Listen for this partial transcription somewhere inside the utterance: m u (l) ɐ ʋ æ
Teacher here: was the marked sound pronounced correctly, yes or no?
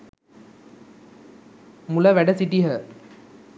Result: yes